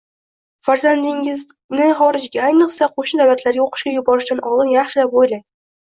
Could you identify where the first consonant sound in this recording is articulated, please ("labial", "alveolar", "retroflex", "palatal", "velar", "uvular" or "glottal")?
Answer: labial